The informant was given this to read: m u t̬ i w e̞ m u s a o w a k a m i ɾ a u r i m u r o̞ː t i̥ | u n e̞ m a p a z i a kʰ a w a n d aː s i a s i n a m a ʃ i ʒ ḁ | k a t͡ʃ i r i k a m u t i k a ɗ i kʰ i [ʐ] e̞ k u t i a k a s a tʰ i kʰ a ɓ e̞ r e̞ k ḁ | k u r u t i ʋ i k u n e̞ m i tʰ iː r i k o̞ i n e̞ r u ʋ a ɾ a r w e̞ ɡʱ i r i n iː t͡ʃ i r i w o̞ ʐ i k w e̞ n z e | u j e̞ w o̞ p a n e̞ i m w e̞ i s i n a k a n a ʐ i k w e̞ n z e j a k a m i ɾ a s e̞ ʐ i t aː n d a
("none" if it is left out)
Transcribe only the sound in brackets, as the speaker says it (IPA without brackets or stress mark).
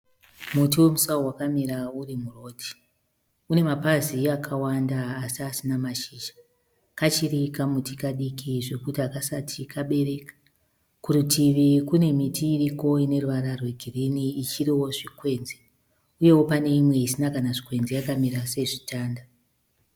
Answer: ʐ